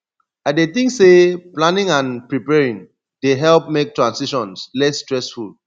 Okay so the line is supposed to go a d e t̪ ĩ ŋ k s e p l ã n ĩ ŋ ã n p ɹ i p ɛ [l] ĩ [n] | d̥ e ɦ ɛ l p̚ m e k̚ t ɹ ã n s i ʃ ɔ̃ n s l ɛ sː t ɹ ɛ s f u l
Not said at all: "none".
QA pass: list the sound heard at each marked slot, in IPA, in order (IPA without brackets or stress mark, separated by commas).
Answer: ɹ, ŋ